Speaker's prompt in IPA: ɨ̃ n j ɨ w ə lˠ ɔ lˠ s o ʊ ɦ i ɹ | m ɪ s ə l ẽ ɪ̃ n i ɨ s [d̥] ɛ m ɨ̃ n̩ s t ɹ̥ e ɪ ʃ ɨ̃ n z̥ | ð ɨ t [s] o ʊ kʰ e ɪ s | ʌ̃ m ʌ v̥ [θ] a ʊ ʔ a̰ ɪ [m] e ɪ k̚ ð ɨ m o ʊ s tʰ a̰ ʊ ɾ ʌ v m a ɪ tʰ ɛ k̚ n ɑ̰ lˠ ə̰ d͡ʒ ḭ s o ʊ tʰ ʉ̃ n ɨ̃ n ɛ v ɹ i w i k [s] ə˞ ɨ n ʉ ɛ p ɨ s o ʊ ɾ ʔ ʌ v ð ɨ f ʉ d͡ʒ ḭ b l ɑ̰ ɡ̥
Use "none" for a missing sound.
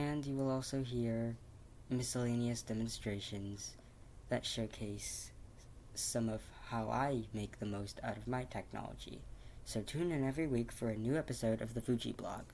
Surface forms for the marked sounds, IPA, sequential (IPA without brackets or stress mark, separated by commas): d̥, ʃ, h, m, f